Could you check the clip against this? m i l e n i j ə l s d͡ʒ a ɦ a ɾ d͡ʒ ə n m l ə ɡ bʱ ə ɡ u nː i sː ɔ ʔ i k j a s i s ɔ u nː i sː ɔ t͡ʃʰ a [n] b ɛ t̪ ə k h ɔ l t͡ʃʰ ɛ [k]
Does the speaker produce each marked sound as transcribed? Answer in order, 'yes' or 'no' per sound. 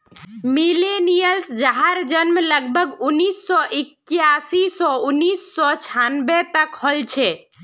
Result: yes, no

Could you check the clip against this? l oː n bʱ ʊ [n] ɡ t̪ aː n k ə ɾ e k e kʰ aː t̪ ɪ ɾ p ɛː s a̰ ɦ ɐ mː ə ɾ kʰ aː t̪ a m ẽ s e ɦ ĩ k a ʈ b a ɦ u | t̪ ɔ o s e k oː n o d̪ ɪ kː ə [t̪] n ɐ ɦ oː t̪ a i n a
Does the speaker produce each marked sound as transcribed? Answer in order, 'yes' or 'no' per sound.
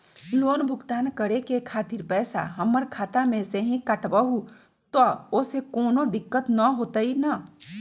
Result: no, yes

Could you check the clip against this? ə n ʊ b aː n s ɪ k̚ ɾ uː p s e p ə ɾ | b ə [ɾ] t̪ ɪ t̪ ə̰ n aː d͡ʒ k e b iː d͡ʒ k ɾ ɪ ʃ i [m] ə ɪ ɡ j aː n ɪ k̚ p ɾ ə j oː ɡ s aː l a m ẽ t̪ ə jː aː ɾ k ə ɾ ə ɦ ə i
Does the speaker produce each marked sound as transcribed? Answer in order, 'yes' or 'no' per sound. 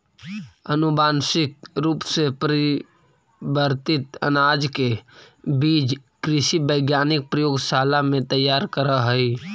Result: yes, no

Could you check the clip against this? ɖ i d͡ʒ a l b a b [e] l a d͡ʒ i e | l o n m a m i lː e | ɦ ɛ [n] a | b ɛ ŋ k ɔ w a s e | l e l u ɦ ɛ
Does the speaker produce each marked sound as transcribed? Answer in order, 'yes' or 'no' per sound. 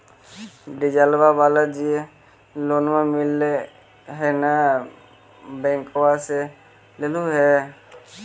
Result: no, yes

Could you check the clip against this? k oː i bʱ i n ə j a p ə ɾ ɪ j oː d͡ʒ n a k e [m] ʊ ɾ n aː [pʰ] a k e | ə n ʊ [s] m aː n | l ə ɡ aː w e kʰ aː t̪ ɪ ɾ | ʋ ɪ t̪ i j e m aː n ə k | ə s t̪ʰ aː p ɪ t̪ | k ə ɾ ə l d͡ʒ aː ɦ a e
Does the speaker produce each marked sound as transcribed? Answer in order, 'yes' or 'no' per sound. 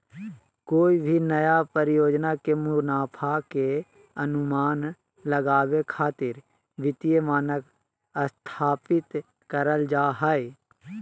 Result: yes, yes, no

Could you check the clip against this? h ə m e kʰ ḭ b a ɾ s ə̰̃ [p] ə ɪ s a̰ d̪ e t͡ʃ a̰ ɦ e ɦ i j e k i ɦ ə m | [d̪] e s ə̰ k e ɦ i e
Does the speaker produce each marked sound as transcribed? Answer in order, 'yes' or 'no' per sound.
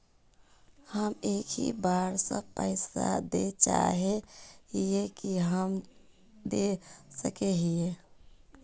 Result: yes, yes

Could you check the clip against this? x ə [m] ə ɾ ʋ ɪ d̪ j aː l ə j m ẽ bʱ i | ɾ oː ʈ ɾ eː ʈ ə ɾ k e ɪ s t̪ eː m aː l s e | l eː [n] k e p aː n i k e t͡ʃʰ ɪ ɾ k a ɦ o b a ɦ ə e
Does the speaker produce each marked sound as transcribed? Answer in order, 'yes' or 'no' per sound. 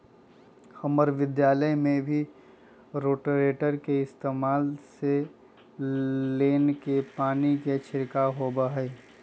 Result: yes, yes

